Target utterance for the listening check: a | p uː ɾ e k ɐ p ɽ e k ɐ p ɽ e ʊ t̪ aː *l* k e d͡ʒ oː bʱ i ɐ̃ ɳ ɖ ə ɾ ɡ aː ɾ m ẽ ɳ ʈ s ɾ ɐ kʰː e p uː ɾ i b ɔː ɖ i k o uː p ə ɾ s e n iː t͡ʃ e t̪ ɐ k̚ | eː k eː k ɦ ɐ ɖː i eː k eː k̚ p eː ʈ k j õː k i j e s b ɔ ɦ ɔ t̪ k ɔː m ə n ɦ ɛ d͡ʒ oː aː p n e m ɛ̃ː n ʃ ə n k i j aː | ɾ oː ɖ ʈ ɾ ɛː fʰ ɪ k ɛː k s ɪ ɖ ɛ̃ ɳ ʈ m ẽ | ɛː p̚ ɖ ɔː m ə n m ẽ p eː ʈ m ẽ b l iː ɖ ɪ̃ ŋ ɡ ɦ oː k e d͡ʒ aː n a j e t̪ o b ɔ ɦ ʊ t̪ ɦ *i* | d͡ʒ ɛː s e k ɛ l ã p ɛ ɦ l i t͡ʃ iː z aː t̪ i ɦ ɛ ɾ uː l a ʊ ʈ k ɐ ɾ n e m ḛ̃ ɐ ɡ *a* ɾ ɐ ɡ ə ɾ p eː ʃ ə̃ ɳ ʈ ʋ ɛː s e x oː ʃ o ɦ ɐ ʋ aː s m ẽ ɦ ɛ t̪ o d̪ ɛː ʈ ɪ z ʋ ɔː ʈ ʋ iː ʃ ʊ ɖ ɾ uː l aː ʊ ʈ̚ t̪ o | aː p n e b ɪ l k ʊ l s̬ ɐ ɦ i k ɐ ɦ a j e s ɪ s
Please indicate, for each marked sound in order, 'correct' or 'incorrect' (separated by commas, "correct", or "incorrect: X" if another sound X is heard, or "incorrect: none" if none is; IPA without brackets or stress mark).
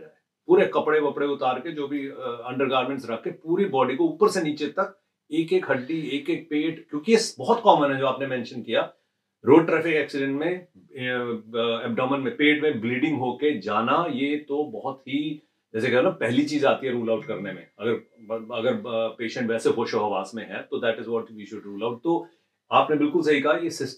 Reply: incorrect: ɾ, correct, incorrect: ə